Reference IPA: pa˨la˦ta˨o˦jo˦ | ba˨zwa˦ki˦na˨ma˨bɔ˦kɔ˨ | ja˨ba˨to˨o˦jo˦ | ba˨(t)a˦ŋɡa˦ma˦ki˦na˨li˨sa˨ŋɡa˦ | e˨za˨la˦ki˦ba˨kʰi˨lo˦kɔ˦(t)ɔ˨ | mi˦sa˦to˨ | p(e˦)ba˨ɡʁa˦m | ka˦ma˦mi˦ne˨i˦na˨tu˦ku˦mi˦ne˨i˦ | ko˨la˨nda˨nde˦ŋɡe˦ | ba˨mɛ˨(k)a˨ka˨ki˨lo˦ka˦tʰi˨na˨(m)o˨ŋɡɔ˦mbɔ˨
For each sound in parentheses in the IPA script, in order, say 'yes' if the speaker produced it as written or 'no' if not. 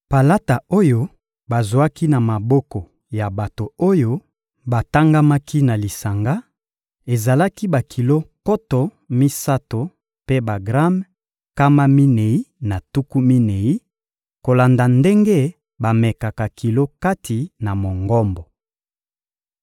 yes, yes, yes, yes, yes

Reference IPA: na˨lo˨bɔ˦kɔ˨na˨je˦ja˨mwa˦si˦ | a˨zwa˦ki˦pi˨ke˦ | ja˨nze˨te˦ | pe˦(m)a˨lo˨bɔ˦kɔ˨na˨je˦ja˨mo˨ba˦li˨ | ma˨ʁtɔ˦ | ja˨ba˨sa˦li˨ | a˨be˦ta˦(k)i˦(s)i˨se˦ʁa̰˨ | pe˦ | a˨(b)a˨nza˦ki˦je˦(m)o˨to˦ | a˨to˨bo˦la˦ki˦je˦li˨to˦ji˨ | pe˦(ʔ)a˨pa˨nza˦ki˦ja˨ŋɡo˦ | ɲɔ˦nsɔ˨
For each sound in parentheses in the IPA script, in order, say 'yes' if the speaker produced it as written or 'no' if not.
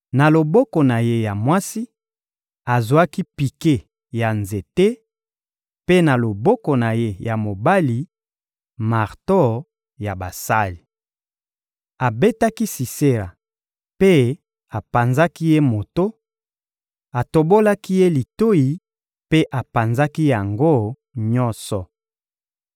no, yes, yes, no, yes, yes

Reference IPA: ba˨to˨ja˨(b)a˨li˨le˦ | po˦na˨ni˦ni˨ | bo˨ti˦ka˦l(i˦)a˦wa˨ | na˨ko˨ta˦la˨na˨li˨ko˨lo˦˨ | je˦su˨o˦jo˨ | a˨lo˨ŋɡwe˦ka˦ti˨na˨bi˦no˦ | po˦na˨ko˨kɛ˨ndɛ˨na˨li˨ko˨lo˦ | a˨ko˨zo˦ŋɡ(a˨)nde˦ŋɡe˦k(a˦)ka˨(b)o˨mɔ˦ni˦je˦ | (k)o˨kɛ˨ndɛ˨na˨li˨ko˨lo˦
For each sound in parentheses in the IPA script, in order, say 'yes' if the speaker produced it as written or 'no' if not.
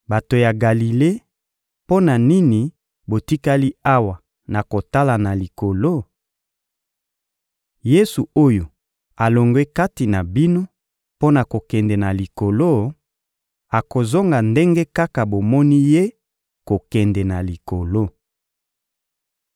no, yes, yes, yes, yes, yes

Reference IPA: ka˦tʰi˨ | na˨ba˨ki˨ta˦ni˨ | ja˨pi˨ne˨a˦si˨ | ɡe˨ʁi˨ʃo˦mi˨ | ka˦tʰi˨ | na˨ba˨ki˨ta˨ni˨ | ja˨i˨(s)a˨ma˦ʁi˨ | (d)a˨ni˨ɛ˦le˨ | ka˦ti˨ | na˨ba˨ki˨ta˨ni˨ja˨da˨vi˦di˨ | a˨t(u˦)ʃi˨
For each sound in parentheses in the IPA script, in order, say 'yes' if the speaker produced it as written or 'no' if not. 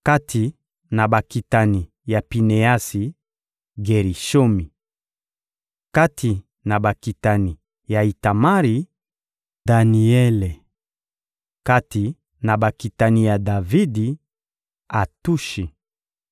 no, yes, yes

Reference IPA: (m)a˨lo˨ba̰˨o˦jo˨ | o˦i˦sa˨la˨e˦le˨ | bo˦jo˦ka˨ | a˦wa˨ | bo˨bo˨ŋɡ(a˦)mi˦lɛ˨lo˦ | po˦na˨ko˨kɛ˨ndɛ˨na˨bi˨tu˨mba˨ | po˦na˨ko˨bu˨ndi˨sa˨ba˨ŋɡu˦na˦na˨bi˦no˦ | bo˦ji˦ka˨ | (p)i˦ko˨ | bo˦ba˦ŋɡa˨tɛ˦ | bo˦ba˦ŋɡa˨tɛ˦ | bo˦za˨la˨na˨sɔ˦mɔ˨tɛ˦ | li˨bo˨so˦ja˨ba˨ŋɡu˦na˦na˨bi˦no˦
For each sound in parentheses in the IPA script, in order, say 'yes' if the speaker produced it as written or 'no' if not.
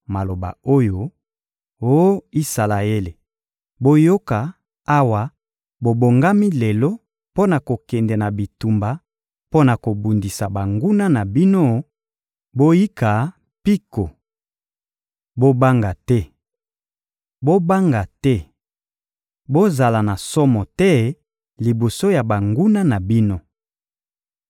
yes, yes, yes

